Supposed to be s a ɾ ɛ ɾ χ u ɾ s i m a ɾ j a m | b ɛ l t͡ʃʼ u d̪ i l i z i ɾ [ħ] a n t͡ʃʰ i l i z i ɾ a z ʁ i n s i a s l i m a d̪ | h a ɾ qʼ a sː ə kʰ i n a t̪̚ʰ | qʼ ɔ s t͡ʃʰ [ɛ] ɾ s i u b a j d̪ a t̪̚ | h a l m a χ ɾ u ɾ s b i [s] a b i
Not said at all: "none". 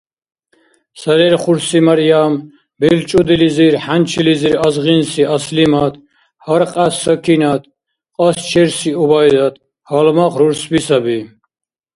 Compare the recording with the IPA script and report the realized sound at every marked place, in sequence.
ħ, ɛ, s

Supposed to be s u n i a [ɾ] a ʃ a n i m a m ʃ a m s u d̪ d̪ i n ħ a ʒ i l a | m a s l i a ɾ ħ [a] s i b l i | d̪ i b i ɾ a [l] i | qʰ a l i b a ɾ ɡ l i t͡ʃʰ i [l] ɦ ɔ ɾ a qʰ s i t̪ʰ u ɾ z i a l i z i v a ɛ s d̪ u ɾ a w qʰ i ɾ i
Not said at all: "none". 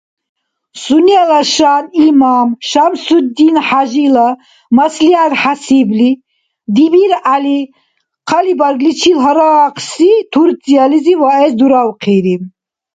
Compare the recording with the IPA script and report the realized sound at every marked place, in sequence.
l, a, l, l

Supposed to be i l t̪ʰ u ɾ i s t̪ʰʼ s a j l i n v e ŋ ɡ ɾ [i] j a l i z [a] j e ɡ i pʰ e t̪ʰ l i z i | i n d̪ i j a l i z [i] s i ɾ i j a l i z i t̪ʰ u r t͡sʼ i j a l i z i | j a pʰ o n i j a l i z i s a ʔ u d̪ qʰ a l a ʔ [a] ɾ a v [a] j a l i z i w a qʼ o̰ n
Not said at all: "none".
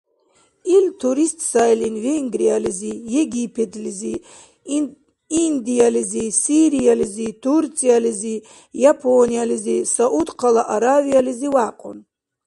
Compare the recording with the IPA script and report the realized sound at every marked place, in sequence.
i, i, i, a, i

